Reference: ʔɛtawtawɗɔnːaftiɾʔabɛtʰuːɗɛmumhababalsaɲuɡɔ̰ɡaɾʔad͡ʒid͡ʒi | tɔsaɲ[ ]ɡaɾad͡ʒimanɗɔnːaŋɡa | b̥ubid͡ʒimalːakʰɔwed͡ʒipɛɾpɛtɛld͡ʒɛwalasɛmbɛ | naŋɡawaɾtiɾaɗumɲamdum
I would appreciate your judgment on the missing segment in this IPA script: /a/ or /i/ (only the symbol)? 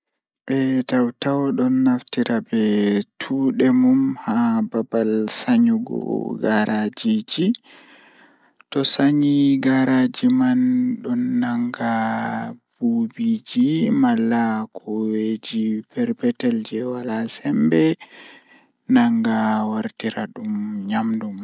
i